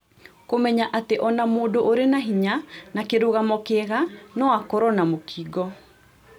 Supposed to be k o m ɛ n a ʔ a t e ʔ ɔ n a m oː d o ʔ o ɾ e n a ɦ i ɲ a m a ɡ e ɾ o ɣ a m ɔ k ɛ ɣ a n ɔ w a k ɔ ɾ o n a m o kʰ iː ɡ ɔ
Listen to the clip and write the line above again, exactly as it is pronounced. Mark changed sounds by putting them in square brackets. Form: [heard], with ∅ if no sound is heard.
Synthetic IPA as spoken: k o m ɛ [ɲ] a ʔ a t e ʔ ɔ n a m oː d o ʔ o ɾ e n a ɦ i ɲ a [n] a [k] e ɾ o ɣ a m ɔ k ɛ ɣ a n ɔ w a k ɔ ɾ [ɔ] n a m o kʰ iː ɡ ɔ